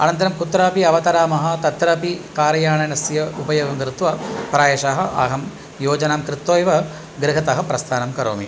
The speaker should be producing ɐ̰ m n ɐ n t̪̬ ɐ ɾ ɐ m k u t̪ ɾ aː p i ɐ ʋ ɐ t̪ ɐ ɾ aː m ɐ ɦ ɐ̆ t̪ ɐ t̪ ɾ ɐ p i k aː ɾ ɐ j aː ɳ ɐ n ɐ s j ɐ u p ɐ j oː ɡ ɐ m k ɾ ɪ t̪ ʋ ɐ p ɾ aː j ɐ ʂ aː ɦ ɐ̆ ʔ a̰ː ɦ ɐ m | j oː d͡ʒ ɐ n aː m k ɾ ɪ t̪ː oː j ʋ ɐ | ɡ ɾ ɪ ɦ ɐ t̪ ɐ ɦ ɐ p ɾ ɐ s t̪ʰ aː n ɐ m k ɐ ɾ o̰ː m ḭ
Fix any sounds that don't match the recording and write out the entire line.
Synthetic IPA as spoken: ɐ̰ n ɐ n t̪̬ ɐ ɾ ɐ m k u t̪ ɾ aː p i ɐ ʋ ɐ t̪ ɐ ɾ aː m ɐ ɦ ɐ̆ t̪ ɐ t̪ ɾ ɐ p i k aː ɾ ɐ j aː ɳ ɐ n ɐ s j ɐ u p ɐ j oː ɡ ɐ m k ɾ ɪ t̪ ʋ ɐ p ɾ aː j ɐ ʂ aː ɦ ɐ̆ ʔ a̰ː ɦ ɐ m | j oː d͡ʒ ɐ n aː m k ɾ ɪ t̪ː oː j ʋ ɐ | ɡ ɾ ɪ ɦ ɐ t̪ ɐ ɦ ɐ p ɾ ɐ s t̪ʰ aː n ɐ m k ɐ ɾ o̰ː m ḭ